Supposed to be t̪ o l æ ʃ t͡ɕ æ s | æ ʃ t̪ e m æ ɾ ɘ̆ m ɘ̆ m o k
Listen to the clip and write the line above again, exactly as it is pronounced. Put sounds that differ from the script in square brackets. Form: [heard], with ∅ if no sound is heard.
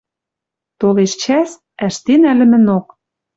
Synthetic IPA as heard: t̪ o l [e] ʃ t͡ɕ æ s | æ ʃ t̪ e [n] æ [l] ɘ̆ m ɘ̆ [n] o k